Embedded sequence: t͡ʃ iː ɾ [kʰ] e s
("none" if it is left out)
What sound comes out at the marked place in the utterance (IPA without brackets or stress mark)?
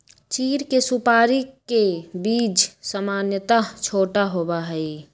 k